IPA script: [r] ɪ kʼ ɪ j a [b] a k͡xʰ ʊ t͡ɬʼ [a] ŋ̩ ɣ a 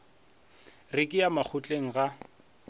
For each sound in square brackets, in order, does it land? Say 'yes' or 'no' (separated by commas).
yes, no, no